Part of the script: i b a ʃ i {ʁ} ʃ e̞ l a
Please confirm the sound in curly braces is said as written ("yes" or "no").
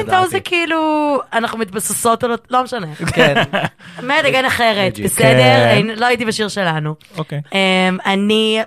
yes